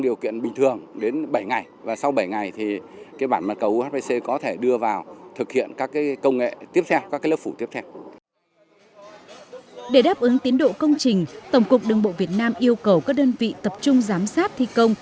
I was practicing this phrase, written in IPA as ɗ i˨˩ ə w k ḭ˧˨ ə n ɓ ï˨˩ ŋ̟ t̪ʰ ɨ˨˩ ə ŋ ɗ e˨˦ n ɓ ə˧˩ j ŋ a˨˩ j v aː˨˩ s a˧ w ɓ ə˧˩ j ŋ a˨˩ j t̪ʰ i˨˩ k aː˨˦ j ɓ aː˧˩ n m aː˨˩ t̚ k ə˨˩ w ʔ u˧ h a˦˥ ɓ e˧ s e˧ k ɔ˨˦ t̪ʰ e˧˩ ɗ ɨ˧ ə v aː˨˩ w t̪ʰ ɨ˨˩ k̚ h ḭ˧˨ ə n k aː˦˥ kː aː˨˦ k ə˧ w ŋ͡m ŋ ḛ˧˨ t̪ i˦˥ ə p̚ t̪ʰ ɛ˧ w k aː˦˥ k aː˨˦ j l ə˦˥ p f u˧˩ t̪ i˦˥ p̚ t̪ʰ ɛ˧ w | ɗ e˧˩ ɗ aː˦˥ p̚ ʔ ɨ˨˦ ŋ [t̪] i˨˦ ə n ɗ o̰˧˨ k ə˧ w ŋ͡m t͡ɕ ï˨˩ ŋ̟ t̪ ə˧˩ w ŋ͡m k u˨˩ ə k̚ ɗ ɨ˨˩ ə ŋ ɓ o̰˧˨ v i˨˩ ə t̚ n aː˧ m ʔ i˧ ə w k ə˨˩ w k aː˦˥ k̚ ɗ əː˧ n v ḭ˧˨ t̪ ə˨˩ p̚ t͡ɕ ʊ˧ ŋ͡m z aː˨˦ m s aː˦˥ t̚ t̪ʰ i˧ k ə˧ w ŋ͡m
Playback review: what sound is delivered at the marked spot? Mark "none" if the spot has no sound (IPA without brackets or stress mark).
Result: t̪